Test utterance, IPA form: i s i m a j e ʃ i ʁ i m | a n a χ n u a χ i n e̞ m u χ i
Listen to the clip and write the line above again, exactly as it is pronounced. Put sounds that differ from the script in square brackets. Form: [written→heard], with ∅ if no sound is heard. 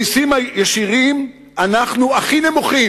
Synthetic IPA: i s i m a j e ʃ i ʁ i m | a n a χ n u a χ i n e̞ m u χ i